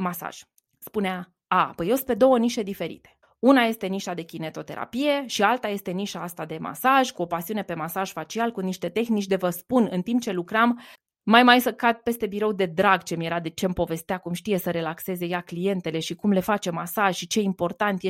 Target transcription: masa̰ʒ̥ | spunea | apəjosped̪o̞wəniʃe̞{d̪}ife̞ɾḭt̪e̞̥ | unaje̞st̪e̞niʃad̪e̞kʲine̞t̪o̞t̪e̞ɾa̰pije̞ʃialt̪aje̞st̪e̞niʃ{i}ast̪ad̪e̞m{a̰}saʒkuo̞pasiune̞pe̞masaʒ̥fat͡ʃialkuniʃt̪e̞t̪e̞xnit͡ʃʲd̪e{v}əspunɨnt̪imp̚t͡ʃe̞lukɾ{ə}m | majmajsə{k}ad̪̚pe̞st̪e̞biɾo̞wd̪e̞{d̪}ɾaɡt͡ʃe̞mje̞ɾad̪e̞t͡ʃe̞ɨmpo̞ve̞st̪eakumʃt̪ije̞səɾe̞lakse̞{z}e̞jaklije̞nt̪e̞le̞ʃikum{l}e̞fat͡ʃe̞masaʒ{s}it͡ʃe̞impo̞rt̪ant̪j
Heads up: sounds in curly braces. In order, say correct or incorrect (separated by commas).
correct, incorrect, correct, correct, incorrect, correct, correct, correct, correct, incorrect